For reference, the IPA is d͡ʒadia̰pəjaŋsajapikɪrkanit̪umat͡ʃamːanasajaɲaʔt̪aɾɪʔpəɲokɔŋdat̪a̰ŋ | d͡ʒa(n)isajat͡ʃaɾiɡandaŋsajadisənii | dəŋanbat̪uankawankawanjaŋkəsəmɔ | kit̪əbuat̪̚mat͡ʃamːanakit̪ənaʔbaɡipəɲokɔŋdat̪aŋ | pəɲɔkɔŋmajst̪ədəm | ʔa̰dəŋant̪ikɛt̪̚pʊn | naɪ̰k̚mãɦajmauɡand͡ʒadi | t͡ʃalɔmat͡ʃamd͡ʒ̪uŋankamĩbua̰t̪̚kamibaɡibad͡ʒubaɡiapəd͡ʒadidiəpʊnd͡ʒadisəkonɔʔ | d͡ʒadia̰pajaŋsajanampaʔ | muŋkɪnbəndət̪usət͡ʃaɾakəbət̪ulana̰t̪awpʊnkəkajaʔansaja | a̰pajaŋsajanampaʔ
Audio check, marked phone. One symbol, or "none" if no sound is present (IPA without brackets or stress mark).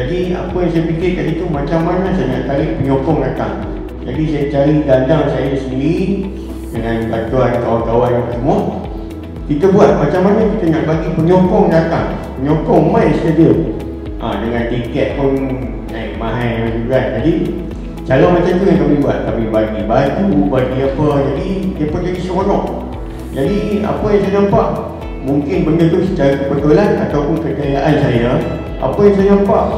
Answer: d